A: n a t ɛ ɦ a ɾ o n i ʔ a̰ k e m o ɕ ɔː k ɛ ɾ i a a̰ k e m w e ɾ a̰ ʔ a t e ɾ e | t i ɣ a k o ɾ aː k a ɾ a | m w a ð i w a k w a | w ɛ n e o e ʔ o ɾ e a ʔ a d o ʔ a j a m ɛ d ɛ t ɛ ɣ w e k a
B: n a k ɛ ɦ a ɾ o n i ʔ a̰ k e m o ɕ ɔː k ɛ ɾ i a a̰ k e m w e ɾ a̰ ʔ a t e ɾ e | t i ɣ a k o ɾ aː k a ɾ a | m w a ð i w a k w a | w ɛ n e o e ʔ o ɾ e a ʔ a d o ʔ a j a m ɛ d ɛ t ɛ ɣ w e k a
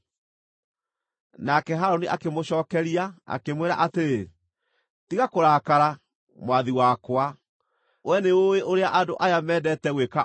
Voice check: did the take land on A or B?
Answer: B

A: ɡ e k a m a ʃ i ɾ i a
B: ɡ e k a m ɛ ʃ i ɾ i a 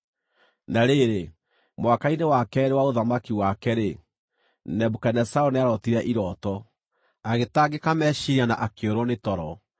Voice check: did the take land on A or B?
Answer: B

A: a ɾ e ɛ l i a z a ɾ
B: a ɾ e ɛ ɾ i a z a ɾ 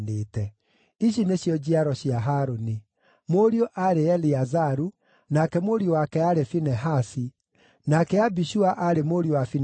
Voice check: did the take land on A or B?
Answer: A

